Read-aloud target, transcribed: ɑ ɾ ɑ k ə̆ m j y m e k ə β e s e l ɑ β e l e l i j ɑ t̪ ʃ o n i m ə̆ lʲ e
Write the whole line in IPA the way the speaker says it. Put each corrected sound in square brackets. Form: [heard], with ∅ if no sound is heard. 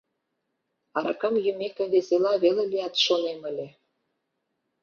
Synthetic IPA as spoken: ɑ ɾ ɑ k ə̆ m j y m e k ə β e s e l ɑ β e l e l i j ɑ t̪ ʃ o n [e] m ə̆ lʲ e